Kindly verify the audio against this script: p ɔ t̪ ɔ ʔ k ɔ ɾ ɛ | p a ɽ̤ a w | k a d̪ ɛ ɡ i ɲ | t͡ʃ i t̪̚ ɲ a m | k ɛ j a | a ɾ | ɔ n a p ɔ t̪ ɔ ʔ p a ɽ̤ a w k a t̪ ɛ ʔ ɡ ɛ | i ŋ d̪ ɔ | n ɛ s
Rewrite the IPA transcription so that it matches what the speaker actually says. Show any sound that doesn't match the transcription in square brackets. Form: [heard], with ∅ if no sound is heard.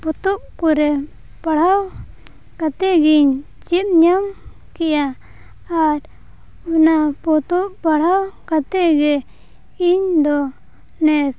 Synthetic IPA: p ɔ t̪ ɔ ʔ k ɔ ɾ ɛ | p a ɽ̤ a w | k a [t̪] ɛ ɡ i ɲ | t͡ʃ i t̪̚ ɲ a m | k ɛ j a | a ɾ | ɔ n a p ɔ t̪ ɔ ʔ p a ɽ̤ a w k a t̪ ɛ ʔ ɡ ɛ | i [ɲ] d̪ ɔ | n ɛ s